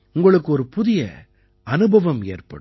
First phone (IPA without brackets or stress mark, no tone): ʊ